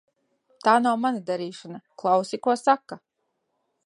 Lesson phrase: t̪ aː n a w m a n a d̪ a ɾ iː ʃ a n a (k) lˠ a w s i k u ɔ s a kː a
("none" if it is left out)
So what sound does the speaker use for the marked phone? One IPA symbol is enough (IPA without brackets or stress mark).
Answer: k